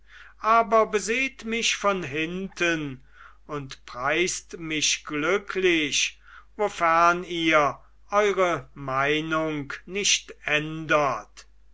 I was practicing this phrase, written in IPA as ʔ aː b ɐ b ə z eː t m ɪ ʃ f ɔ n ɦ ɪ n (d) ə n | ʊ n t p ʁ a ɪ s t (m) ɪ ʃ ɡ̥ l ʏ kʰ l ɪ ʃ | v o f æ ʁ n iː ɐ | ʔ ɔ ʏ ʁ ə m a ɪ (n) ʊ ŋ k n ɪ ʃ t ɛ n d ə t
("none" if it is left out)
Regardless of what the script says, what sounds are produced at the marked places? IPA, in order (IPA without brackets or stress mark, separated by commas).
t, m, n